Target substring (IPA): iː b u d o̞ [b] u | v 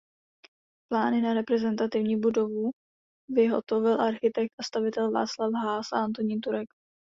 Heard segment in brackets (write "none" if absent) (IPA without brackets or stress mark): v